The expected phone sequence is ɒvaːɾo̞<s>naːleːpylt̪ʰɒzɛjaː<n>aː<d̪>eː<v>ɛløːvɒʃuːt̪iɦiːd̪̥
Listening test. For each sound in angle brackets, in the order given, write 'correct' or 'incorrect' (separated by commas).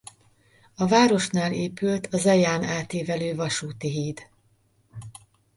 incorrect, correct, incorrect, correct